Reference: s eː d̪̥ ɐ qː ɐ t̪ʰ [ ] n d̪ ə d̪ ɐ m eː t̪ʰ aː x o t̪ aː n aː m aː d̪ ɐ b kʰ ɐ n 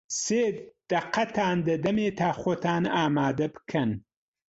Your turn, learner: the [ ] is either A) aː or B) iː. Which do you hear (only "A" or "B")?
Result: A